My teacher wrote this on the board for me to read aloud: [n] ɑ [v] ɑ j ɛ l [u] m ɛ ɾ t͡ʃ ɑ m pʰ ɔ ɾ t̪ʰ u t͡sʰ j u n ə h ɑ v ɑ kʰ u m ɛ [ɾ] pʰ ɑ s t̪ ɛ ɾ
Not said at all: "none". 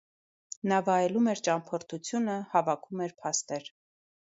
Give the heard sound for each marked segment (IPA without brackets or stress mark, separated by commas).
n, v, u, ɾ